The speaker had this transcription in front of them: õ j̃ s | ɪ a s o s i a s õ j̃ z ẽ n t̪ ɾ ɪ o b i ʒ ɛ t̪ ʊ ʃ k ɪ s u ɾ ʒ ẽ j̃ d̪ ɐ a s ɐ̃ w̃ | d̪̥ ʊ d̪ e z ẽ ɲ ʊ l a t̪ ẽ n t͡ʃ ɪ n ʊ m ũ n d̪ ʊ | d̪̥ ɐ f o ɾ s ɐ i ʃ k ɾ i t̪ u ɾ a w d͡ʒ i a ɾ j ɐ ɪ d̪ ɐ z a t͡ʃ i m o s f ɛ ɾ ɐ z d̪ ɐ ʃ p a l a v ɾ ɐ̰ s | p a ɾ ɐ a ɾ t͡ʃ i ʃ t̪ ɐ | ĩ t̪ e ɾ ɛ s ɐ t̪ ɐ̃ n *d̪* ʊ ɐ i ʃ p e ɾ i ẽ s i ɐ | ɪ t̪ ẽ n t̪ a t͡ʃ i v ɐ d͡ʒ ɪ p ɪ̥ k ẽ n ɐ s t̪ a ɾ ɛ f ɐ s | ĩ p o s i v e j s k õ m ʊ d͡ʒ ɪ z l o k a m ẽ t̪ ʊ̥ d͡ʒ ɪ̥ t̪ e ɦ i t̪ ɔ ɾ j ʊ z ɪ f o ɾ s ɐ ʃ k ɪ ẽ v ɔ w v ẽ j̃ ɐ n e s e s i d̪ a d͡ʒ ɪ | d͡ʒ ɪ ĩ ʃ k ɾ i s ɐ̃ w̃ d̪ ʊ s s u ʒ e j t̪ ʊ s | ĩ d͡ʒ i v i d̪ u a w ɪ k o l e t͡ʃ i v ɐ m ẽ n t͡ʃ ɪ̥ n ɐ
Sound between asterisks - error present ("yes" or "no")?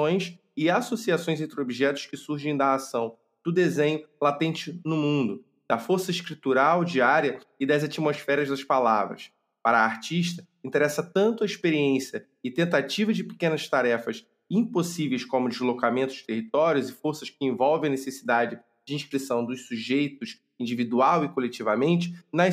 yes